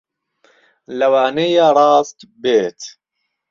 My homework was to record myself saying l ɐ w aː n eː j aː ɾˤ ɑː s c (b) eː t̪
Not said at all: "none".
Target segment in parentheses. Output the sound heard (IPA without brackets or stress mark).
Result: b